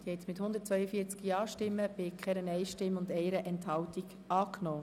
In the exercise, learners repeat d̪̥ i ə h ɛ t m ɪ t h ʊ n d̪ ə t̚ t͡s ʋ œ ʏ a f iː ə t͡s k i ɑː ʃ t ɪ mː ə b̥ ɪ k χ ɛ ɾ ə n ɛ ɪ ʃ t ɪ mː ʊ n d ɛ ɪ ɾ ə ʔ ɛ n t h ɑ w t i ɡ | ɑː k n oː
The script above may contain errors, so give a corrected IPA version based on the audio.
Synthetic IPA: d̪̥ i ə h ɛ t m ɪ t h ʊ n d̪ ə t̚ t͡s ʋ œ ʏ ə f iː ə t͡s k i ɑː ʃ t ɪ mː ə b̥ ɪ k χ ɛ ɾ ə n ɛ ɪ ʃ t ɪ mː ʊ n d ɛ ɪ ɾ ə ʔ ɛ n t h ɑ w t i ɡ | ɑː k n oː